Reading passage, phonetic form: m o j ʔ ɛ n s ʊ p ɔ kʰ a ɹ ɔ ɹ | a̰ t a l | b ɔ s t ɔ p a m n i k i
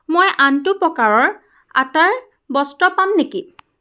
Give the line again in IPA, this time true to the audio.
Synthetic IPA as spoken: m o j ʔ a n t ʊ p ɔ k a ɹ ɔ ɹ | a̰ t a ɹ | b ɔ s t ɔ p a m n e k i